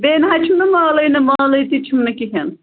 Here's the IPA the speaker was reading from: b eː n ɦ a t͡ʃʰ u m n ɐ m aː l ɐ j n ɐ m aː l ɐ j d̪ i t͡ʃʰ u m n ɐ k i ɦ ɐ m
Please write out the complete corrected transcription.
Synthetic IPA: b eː n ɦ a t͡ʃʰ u m n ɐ m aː l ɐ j n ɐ m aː l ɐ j t̪ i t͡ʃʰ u m n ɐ k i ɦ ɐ n

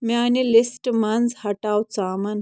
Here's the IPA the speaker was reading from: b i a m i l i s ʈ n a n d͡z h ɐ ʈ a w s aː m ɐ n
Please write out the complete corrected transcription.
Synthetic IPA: m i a n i l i s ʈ m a n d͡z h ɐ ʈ a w t͡s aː m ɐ n

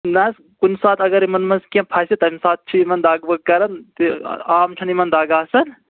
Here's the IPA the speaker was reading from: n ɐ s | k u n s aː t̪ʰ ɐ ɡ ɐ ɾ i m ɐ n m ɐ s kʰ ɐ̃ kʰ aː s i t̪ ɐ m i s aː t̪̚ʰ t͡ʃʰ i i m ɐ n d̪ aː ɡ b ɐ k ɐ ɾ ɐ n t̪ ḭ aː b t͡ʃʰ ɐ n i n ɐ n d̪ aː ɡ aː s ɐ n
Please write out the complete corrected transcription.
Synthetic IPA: n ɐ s | k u n s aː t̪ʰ ɐ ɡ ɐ ɾ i m ɐ n m ɐ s k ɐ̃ pʰ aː s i t̪ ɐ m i s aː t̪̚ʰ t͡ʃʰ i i m ɐ n d̪ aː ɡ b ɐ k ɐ ɾ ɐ n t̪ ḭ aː m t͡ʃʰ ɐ n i m ɐ n d̪ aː ɡ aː s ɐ n

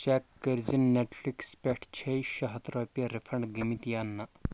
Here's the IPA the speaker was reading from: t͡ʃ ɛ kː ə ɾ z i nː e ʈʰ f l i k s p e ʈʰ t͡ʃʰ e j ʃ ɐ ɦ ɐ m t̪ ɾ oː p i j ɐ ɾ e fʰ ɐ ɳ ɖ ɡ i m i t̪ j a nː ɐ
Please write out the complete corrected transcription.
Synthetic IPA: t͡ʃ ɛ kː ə ɾ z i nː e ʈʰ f l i k s p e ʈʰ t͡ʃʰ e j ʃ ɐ ɦ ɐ t̪ ɾ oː p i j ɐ ɾ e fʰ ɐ ɳ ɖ ɡ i m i t̪ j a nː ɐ

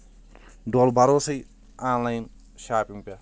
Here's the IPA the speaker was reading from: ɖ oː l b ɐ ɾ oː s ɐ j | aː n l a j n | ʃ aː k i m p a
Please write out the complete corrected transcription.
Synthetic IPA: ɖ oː l b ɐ ɾ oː s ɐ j | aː n l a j n | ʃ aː p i ŋ p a

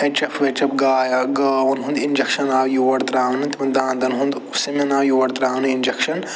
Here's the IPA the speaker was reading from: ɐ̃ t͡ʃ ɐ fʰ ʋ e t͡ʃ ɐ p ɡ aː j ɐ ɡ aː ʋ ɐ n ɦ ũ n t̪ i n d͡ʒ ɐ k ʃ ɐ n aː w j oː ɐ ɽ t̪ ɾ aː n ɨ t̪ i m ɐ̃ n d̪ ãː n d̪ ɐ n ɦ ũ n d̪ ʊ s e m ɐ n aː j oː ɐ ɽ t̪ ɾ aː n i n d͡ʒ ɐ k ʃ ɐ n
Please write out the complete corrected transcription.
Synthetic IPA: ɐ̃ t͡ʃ ɐ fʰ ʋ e t͡ʃ ɐ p ɡ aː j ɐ ɡ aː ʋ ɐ n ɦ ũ n d̪ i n d͡ʒ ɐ k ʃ ɐ n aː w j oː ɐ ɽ t̪ ɾ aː n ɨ t̪ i m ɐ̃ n d̪ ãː n d̪ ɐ n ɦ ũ n d̪ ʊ s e m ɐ n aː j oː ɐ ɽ t̪ ɾ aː n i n d͡ʒ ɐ k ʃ ɐ n

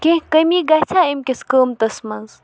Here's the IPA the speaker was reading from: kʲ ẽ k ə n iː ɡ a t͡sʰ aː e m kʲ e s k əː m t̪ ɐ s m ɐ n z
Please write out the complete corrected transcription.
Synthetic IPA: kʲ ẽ k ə m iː ɡ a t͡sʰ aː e m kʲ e s k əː m t̪ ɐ s m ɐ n z

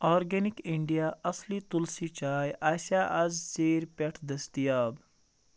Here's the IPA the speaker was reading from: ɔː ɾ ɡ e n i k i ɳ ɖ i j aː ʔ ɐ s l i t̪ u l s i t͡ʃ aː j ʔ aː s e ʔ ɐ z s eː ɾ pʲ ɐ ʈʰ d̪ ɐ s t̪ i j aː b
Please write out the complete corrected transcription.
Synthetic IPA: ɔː ɾ ɡ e n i k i ɳ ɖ i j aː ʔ ɐ s l i t̪ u l s i t͡ʃ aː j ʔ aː s a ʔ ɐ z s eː ɾ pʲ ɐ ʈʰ d̪ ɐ s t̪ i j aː b

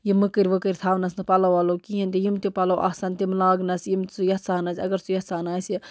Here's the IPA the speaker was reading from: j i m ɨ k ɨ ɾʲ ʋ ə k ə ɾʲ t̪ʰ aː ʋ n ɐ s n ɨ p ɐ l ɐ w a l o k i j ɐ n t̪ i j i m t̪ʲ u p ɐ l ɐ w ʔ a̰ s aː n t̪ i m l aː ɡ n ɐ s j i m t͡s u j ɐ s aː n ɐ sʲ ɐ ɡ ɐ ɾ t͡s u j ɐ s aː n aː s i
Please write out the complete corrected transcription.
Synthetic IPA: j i m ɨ k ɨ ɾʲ ʋ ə k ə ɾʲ t̪ʰ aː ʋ n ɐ s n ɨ p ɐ l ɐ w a l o k i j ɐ n t̪ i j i m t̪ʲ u p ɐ l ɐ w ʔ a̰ s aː n t̪ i m l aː ɡ n ɐ s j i m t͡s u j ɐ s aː n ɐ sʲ ɐ ɡ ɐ ɾ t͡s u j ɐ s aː n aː s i

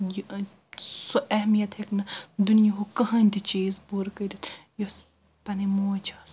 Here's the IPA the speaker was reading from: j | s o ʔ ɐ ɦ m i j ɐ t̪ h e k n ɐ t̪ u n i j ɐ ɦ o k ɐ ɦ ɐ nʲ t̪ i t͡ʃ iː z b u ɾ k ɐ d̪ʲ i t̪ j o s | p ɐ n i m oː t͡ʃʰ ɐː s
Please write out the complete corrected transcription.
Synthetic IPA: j | s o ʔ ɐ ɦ m i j ɐ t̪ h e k n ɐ d̪ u n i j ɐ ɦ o k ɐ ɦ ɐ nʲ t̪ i t͡ʃ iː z b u ɾ k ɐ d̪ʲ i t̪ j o s | p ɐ n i m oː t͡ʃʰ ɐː s

